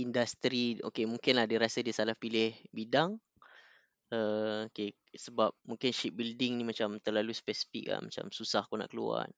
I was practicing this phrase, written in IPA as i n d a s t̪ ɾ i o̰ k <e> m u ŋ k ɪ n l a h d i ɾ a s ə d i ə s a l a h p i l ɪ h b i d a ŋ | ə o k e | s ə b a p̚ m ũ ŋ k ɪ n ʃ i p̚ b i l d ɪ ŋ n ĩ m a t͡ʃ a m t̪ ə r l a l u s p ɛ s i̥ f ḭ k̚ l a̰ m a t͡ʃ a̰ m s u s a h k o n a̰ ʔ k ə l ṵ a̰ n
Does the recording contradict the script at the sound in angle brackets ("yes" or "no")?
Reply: no